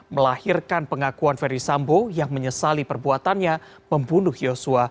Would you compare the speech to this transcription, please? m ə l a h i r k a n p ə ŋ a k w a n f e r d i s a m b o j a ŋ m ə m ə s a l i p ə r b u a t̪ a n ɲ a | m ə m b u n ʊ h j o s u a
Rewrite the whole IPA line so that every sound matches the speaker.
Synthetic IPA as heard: m ə l a h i r k a n p ə ŋ a k u a n f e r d i s a m b o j a ŋ m ə ɲ ə s a l i p ə r b u a t̪ a n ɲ a | m ə m b u n ʊ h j o s u a